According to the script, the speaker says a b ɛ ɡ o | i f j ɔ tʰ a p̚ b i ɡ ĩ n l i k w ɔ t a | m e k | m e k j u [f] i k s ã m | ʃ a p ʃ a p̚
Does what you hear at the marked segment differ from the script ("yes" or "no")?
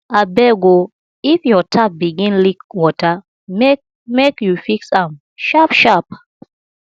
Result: no